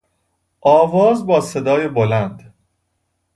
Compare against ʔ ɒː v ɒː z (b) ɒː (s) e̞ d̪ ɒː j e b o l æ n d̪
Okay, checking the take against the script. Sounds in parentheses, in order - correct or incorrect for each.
correct, correct

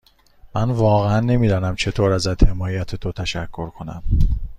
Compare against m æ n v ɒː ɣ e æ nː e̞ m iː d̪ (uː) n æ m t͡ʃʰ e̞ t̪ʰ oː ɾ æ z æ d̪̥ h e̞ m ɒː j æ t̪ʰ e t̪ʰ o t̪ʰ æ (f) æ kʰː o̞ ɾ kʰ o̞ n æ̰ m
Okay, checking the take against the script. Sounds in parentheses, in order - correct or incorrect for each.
incorrect: ɒː, incorrect: ʃ

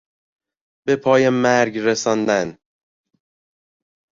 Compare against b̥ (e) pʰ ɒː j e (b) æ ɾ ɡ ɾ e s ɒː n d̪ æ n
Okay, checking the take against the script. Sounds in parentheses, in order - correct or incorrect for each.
correct, incorrect: m

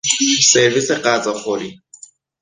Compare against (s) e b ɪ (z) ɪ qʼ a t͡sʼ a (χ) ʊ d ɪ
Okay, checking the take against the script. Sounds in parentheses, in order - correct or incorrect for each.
correct, incorrect: s, correct

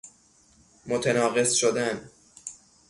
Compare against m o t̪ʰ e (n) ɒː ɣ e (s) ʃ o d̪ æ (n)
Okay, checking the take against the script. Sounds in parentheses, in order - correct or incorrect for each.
correct, correct, correct

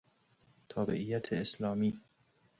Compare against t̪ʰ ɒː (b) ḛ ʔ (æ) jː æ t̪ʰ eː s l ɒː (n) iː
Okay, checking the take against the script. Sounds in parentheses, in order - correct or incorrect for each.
correct, incorrect: i, incorrect: m

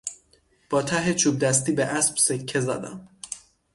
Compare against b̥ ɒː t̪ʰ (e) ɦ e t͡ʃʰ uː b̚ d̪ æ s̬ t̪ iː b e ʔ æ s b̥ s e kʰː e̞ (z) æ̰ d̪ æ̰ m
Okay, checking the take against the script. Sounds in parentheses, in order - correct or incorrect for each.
incorrect: æ, correct

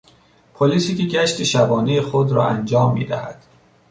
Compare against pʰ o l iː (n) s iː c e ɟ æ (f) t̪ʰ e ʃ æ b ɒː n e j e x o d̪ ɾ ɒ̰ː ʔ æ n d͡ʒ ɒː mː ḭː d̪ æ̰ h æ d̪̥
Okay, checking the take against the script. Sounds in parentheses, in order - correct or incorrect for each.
incorrect: none, incorrect: ʃ

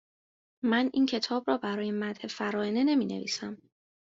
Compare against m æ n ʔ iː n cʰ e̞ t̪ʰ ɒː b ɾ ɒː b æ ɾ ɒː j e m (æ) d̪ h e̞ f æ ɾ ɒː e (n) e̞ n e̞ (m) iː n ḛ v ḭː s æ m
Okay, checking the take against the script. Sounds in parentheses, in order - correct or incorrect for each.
correct, correct, correct

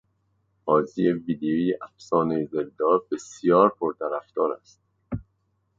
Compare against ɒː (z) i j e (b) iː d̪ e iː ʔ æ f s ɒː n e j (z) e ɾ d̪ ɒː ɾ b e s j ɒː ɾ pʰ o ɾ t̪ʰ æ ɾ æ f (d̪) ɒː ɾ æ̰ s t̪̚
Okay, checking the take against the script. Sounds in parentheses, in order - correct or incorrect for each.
correct, incorrect: v, correct, incorrect: t̪

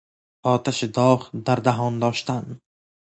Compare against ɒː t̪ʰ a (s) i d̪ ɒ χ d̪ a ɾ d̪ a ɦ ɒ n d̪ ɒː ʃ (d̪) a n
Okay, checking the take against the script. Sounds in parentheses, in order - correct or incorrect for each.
incorrect: ʃ, incorrect: t̪

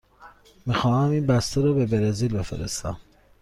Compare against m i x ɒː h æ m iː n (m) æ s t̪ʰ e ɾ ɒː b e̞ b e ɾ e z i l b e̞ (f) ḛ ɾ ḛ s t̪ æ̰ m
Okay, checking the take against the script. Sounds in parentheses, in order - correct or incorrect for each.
incorrect: b, correct

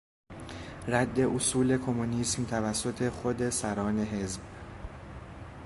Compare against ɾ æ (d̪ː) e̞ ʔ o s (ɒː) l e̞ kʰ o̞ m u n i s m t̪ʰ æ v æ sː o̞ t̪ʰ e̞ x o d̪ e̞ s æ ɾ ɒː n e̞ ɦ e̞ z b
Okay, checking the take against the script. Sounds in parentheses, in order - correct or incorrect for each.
correct, incorrect: uː

